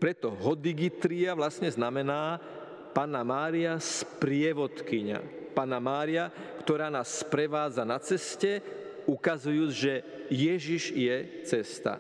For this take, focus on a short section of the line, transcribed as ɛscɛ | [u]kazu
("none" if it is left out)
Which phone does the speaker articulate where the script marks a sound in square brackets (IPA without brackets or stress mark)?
u